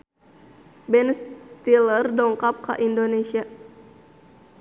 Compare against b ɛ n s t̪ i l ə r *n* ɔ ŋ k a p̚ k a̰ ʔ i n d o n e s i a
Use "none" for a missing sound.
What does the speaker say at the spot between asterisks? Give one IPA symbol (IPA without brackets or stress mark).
d